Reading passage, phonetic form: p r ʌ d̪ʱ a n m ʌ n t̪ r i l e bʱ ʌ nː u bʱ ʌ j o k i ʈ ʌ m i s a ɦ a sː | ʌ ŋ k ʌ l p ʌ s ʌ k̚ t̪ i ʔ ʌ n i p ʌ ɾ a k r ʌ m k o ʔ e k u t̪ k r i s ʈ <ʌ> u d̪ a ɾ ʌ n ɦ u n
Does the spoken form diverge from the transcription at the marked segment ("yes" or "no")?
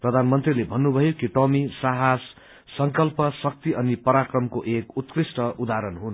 no